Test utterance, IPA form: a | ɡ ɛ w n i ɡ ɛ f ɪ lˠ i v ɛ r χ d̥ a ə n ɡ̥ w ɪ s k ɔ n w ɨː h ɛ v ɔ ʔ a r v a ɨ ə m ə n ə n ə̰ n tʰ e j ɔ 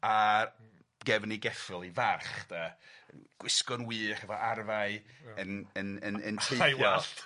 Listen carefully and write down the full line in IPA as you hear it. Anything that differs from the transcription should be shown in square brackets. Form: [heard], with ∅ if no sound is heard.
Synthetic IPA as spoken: a | ɡ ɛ [v] n i ɡ ɛ f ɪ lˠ i v [a] r χ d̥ a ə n ɡ̥ w ɪ s k ɔ n w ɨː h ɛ v ɔ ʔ a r v a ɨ ə [n] ə n ə n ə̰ n tʰ e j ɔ